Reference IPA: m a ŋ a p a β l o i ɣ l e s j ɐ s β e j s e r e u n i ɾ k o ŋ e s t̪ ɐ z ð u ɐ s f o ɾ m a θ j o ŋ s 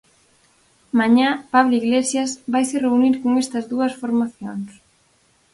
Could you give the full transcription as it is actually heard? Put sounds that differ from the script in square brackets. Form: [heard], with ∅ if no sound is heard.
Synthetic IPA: m a [ɲ] a p a β l o i ɣ l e s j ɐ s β [a] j s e r e u n i ɾ k o ŋ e s t̪ ɐ z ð u ɐ s f o ɾ m a θ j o ŋ s